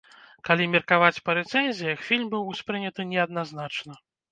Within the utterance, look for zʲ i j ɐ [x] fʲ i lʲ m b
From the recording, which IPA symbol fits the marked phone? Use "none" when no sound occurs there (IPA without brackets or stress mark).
x